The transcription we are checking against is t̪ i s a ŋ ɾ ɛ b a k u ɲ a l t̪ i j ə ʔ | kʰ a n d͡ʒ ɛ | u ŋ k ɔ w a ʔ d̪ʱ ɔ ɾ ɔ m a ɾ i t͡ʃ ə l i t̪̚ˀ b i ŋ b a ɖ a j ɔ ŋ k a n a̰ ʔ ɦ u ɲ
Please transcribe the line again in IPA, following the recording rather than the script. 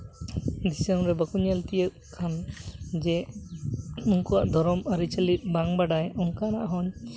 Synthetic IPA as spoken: d̪ i s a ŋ ɾ ɛ b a k u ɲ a l t̪ i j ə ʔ | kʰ a n d͡ʒ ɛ | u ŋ k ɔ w a ʔ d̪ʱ ɔ ɾ ɔ m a ɾ i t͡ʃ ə l i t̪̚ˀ b a ŋ b a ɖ a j ɔ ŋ k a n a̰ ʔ ɦ ɔ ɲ